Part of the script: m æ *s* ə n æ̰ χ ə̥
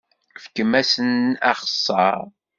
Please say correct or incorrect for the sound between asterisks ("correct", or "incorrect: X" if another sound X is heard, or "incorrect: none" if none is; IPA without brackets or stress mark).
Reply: correct